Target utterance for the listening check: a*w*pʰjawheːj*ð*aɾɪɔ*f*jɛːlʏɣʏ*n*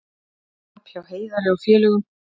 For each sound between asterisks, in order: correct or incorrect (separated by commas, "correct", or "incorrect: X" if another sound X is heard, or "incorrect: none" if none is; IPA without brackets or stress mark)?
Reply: incorrect: none, correct, correct, incorrect: m